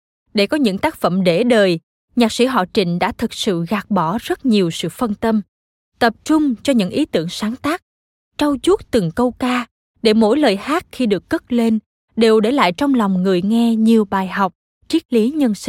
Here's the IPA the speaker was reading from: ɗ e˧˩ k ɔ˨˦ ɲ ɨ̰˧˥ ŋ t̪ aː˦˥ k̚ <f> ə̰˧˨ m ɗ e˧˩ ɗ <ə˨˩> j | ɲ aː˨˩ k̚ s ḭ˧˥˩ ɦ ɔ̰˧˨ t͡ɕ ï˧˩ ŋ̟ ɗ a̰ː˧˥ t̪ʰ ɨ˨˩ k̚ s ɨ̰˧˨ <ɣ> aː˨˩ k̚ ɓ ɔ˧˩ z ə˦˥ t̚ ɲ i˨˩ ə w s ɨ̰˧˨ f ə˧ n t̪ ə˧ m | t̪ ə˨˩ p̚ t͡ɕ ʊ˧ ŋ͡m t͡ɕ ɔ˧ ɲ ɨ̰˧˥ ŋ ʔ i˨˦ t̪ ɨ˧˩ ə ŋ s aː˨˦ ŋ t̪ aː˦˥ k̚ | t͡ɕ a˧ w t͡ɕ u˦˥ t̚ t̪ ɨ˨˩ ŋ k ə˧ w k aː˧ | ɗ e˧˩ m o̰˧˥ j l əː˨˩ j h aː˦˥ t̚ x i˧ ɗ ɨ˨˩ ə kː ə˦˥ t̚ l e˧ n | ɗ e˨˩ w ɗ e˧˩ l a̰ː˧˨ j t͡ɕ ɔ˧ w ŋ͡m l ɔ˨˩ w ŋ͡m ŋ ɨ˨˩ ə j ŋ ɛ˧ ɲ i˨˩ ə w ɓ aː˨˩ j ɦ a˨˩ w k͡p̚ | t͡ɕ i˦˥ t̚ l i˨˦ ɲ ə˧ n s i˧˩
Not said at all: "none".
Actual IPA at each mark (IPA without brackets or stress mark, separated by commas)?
f, əː˨˩, ɣ